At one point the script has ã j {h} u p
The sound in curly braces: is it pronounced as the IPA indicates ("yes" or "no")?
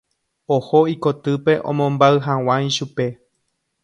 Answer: no